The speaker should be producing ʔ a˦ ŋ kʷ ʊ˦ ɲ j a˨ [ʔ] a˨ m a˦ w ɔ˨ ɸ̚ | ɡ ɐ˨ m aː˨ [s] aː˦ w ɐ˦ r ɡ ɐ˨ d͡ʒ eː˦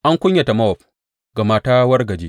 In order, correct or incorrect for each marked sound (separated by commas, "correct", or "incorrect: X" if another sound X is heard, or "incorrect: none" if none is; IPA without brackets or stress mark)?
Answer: incorrect: t, incorrect: t